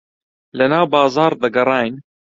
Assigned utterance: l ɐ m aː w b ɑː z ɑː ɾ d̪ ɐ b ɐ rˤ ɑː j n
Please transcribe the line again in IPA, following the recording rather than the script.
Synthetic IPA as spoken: l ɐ n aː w b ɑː z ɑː ɾ d̪ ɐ ɡ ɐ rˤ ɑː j n